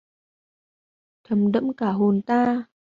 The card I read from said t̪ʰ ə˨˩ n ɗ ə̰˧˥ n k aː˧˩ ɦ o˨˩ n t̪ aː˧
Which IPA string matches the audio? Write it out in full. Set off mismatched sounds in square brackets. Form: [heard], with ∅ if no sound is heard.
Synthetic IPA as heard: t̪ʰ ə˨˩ [m] ɗ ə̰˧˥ [m] k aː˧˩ ɦ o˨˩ n t̪ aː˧